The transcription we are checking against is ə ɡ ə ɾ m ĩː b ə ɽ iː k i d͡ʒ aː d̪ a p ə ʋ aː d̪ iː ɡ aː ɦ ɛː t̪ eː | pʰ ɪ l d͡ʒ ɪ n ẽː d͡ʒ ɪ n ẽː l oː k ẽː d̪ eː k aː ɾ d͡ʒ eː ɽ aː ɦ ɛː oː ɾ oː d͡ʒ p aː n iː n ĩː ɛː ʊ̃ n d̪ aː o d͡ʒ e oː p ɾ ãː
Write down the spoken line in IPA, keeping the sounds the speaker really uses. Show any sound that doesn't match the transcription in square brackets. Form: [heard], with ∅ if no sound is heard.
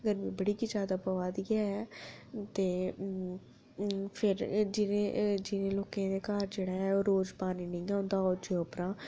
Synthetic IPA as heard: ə ɡ ə ɾ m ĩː b ə ɽ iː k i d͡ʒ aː d̪ a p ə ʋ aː d̪ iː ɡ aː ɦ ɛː t̪ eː | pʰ ɪ [ɾ] d͡ʒ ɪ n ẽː d͡ʒ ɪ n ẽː l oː k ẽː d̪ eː k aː ɾ d͡ʒ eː ɽ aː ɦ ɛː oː ɾ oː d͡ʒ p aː n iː n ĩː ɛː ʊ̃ n d̪ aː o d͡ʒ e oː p ɾ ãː